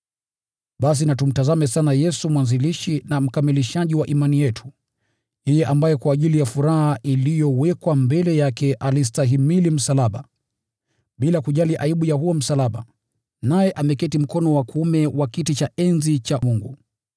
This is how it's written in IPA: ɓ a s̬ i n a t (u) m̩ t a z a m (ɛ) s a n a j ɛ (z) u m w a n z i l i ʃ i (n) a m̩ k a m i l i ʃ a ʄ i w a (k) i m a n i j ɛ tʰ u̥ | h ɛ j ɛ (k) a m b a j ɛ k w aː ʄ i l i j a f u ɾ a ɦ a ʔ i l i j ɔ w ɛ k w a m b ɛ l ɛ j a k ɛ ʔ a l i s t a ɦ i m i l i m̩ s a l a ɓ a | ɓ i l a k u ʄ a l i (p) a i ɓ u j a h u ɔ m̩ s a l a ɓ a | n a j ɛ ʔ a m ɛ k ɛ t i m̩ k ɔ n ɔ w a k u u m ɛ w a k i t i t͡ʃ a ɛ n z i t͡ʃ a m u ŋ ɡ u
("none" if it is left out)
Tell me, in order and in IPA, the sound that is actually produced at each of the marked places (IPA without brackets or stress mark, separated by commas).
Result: u, ɛ, s, n, ʔ, ʔ, ʔ